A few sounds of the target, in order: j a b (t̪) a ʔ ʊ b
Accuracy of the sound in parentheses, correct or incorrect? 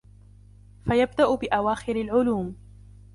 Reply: incorrect